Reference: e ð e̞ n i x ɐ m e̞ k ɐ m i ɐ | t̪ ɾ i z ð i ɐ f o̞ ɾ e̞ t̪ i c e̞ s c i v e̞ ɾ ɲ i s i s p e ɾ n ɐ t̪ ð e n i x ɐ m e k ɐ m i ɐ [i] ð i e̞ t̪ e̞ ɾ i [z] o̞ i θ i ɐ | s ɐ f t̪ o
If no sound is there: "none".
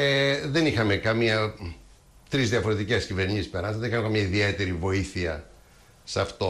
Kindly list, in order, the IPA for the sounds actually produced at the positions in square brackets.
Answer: i, v

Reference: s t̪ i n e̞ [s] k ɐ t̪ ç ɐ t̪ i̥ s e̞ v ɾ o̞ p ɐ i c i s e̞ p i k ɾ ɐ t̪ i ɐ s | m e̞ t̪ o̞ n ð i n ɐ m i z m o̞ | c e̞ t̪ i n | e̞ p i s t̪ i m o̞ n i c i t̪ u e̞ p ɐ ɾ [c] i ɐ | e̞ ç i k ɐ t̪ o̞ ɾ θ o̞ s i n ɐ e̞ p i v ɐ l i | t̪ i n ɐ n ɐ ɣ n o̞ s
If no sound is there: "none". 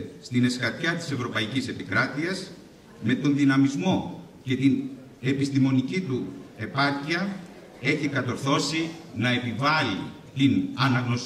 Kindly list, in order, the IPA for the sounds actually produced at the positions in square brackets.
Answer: s, c

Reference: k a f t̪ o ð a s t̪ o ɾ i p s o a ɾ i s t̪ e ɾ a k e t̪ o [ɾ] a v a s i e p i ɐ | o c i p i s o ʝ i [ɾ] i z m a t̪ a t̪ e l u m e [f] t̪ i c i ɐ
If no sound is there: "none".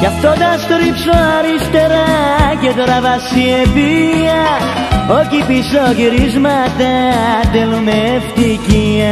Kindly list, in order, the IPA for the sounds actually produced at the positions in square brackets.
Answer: ɾ, ɾ, f

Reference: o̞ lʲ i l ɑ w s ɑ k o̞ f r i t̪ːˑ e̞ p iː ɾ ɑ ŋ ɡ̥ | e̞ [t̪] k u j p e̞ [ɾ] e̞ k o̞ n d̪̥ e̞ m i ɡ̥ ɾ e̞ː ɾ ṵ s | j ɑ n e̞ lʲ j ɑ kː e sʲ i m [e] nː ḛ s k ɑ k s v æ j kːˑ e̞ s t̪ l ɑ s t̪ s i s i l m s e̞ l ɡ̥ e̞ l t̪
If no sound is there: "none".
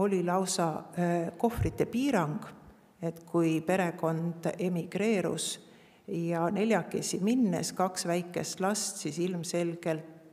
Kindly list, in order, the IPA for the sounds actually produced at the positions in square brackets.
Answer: t̪, ɾ, i

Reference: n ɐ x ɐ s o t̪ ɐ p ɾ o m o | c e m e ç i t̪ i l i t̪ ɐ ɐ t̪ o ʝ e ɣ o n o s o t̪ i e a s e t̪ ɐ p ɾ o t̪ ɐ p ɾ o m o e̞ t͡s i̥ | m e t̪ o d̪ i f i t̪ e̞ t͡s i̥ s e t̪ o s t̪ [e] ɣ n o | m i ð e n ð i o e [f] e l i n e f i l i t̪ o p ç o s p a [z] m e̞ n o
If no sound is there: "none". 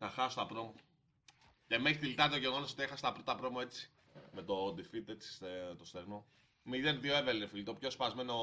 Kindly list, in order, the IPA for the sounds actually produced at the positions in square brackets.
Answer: e, v, z

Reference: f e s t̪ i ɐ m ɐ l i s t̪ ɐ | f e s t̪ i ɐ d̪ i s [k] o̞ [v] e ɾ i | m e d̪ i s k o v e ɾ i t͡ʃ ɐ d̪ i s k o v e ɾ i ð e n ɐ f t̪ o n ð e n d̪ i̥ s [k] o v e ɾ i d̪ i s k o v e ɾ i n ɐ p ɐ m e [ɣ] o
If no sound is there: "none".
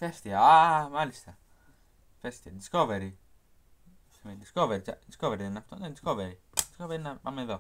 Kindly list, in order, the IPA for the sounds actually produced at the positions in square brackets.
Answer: k, v, k, ð

